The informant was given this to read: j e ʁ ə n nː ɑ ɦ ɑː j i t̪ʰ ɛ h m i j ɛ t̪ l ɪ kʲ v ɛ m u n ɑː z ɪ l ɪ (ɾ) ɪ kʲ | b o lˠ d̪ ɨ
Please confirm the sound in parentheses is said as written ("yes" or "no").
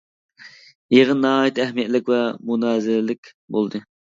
no